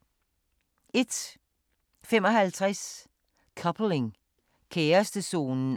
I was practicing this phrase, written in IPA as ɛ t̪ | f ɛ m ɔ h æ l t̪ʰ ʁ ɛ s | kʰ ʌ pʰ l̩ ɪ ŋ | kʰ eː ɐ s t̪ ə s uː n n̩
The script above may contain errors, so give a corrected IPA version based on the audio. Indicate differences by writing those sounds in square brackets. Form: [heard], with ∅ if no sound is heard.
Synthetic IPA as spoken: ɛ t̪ | f ɛ m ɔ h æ l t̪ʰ ʁ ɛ s | kʰ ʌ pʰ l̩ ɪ ŋ | kʰ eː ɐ s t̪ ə s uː n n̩